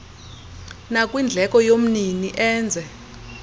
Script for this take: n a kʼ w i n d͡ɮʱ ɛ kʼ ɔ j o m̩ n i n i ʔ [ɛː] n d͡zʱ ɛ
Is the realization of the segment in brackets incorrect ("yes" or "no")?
no